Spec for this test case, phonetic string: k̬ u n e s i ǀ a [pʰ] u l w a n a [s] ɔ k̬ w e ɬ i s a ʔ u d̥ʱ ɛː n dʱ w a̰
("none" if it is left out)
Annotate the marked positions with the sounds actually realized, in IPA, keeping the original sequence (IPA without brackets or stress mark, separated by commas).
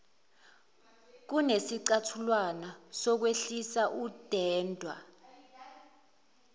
tʰ, s